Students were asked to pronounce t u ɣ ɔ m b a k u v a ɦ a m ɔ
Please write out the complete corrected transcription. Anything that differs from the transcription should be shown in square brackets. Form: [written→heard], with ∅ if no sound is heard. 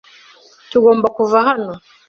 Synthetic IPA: t u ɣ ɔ m b a k u v a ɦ a [m→n] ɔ